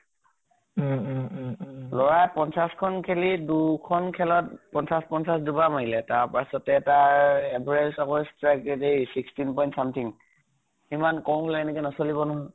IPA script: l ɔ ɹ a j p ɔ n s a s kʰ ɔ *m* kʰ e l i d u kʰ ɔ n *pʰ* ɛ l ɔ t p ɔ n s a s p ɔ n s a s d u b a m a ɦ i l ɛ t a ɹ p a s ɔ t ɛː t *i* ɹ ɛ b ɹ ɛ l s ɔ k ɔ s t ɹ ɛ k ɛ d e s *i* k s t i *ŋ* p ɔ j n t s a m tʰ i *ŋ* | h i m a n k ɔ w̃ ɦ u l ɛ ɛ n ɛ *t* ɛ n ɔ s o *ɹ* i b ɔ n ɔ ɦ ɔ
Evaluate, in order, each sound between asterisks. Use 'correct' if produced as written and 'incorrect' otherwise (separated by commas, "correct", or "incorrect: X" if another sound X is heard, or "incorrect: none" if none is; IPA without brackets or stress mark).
incorrect: n, incorrect: kʰ, incorrect: a, correct, incorrect: n, correct, incorrect: k, incorrect: l